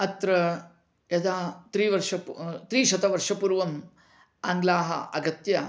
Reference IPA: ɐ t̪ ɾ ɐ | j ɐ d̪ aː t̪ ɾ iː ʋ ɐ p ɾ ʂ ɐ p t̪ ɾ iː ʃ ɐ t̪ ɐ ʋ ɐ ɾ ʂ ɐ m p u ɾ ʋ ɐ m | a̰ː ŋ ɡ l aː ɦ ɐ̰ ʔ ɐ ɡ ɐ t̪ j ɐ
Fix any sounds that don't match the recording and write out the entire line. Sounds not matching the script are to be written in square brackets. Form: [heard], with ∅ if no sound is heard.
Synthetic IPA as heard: ɐ t̪ ɾ ɐ | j ɐ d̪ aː t̪ ɾ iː ʋ ɐ [∅] ɾ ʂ ɐ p t̪ ɾ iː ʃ ɐ t̪ ɐ ʋ ɐ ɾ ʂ ɐ [∅] p u ɾ ʋ ɐ m | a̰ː ŋ ɡ l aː ɦ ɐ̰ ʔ ɐ ɡ ɐ t̪ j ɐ